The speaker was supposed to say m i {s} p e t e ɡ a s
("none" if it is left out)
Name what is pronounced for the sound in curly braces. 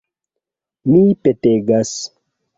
none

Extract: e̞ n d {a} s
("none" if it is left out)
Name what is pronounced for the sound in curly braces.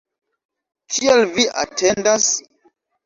a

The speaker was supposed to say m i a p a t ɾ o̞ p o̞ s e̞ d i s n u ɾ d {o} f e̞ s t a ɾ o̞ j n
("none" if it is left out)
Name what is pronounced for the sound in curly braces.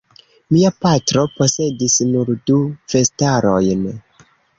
u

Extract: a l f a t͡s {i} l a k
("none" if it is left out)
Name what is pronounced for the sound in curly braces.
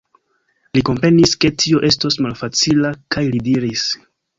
i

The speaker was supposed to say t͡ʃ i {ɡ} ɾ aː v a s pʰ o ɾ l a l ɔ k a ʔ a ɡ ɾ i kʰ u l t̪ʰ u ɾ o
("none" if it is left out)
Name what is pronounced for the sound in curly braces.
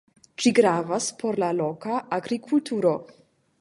ɡ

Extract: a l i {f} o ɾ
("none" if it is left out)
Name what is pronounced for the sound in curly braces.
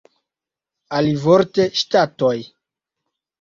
v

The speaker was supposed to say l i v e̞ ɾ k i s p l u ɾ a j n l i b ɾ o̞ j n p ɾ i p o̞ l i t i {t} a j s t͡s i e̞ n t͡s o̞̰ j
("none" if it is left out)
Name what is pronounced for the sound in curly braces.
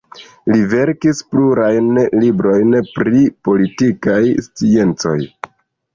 k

